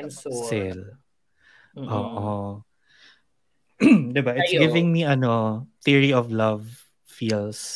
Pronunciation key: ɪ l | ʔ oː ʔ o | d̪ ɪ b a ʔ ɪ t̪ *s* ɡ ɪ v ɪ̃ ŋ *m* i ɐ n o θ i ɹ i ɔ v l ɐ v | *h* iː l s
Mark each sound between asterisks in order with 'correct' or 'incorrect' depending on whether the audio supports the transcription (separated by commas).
correct, correct, incorrect